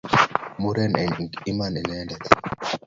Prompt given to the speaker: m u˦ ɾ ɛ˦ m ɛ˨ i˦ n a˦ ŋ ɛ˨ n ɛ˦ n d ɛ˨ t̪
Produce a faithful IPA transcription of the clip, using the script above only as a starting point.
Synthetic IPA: m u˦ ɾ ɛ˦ n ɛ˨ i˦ m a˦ n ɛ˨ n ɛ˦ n d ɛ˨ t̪